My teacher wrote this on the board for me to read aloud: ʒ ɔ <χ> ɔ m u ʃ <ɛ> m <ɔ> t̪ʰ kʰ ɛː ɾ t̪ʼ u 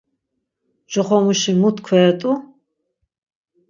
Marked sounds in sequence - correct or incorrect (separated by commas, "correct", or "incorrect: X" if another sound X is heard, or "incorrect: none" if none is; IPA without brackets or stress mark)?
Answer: correct, incorrect: i, incorrect: u